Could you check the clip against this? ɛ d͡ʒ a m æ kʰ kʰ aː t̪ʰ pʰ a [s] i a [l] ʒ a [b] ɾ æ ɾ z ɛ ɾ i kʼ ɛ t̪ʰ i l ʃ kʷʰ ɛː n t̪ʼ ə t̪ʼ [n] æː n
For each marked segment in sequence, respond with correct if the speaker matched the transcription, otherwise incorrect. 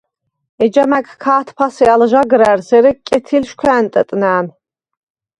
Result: correct, correct, incorrect, correct

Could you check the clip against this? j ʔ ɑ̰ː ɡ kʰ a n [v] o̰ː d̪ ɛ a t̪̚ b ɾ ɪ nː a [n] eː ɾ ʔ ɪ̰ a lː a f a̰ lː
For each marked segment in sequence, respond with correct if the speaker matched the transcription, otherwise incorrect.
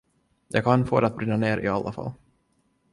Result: incorrect, correct

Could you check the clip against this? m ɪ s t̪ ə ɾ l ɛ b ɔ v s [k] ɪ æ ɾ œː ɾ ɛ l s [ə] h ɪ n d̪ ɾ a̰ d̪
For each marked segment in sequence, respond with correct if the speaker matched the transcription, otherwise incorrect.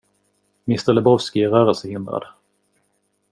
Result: correct, correct

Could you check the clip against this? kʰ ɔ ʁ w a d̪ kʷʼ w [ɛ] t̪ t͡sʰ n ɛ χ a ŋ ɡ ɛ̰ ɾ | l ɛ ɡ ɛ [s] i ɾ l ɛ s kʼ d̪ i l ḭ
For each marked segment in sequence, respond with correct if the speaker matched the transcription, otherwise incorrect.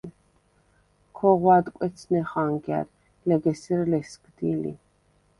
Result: correct, correct

